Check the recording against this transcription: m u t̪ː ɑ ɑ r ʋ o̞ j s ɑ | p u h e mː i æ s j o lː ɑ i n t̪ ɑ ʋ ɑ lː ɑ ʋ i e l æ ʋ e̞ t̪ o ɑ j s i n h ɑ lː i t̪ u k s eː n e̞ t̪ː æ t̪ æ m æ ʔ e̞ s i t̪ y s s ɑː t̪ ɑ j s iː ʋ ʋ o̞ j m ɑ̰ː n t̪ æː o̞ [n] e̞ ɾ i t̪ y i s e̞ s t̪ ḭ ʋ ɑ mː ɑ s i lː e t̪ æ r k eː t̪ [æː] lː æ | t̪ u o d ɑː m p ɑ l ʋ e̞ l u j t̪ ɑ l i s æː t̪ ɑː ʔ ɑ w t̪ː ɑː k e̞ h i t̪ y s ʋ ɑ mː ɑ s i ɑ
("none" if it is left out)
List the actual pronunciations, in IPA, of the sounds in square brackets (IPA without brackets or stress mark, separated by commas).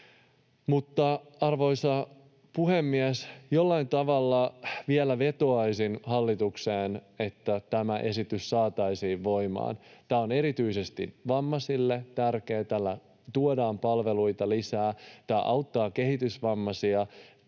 n, æ